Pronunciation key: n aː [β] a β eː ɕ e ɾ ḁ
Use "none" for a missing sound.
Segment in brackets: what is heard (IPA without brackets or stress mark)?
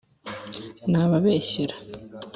β